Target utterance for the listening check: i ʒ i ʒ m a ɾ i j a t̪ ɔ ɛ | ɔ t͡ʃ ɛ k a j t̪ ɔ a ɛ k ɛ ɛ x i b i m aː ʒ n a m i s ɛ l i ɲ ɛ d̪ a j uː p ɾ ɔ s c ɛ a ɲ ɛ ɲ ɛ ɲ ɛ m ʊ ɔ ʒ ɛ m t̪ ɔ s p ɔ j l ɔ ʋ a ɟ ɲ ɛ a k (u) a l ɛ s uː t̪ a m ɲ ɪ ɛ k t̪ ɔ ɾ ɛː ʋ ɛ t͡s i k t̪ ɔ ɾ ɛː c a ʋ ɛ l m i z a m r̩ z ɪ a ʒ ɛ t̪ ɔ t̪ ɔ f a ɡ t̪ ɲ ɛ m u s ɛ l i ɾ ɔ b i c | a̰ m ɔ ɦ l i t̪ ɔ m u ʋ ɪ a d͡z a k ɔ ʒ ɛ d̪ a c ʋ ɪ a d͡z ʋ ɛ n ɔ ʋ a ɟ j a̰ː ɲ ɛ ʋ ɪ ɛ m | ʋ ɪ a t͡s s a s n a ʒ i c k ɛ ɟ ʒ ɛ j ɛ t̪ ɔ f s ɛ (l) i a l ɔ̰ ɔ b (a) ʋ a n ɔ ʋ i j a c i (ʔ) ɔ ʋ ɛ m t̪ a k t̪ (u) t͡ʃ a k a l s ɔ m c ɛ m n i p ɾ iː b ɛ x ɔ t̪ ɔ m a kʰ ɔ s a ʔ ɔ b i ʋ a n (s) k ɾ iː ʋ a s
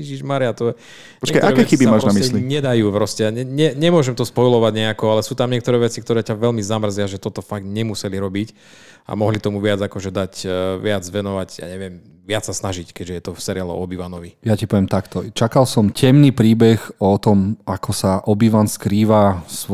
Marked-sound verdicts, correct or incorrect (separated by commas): incorrect, incorrect, incorrect, incorrect, incorrect, correct